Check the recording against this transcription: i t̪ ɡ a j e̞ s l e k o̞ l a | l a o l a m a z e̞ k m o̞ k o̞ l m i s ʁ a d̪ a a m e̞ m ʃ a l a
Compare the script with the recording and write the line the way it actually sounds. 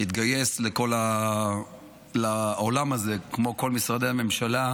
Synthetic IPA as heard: i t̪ ɡ a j e̞ s l e k o̞ l a | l a o l a m a z e̞ k m o̞ k o̞ l m i s ʁ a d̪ e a m e̞ m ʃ a l a